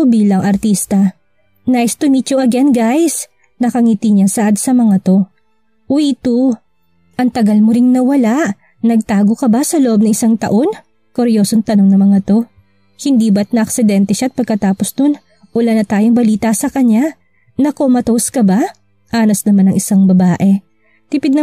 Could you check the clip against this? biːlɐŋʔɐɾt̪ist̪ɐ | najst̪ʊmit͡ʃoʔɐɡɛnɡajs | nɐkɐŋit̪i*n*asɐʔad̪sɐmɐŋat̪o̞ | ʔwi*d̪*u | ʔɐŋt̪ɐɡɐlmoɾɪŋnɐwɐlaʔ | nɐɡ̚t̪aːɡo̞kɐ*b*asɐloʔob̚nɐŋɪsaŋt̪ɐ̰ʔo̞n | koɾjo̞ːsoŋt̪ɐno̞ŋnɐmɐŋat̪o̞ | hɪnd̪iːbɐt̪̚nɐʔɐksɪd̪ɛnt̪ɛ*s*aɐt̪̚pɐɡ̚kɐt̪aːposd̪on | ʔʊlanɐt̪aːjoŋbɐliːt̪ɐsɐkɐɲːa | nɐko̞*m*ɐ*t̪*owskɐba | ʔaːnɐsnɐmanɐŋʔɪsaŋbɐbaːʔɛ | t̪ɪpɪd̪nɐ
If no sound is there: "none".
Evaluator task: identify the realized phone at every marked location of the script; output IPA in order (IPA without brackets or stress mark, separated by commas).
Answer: ɲ, t̪, b, ʃ, m, t̪